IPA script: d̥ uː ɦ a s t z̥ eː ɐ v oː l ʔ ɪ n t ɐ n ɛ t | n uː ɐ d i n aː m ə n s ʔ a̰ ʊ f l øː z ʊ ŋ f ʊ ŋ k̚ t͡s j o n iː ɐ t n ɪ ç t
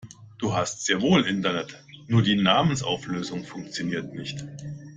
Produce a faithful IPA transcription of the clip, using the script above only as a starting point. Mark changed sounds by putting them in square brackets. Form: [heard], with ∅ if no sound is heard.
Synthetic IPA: d̥ uː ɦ a s t z̥ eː ɐ v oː l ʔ ɪ n t ɐ n ɛ t | n uː ɐ d [iː] n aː m ə n s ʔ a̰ ʊ f l øː z ʊ ŋ f ʊ ŋ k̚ t͡s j o n iː ɐ t n ɪ ç t